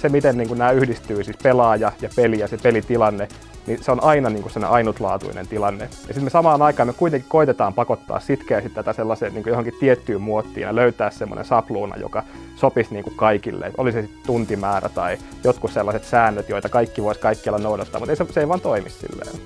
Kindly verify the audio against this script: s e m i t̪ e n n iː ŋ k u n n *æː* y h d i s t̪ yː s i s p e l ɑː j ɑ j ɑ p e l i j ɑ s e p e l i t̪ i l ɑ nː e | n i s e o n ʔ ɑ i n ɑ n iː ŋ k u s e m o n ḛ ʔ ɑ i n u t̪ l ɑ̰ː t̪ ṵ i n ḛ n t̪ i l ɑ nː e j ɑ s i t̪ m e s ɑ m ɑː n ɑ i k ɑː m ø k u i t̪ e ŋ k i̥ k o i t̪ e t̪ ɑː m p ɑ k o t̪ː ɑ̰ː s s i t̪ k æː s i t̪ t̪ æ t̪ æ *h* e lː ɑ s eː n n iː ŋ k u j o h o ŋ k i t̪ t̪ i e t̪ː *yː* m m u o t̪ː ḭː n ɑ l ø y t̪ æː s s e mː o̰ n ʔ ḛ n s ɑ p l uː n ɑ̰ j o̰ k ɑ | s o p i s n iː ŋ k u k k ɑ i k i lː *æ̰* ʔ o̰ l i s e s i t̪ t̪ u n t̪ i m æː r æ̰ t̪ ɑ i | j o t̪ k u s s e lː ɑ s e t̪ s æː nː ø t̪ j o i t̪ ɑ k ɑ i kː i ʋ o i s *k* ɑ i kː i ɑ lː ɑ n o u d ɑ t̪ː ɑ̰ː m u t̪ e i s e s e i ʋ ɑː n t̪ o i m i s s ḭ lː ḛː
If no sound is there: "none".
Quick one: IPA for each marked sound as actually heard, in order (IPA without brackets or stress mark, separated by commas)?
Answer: æː, s, yː, ḛ, k